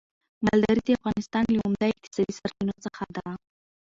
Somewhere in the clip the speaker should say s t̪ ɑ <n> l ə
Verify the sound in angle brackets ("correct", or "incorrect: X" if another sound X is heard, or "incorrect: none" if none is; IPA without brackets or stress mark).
correct